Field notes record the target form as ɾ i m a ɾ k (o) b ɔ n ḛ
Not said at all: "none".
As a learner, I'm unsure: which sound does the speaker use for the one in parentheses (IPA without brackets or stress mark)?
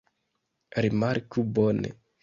u